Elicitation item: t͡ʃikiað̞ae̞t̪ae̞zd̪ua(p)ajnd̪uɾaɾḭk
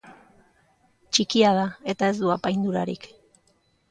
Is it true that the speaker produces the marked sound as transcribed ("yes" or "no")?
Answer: yes